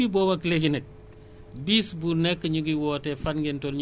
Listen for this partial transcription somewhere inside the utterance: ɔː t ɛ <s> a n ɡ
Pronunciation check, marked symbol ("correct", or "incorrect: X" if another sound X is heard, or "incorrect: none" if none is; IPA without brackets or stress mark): incorrect: f